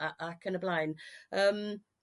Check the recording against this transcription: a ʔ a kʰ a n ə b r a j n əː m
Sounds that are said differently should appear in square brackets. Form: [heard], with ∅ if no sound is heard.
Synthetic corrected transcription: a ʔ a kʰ [ə] n ə b [l] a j n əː m